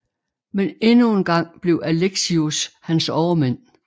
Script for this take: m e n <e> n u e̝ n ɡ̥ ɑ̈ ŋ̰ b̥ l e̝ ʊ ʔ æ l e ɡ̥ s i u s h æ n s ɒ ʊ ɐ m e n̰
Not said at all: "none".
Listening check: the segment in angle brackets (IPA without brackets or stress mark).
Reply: e